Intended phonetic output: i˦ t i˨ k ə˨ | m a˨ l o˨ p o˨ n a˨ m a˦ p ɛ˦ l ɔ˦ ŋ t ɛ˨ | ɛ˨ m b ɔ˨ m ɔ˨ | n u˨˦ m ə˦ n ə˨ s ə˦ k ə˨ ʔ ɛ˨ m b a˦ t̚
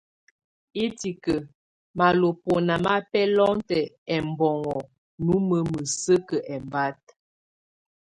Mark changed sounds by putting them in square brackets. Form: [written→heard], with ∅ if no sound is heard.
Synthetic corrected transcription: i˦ t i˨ k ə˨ | m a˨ l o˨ p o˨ n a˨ m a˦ p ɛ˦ l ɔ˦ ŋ t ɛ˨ | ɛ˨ m b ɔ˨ [m→ŋ] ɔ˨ | n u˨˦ m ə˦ [n→m] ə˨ s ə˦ k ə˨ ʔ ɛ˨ m b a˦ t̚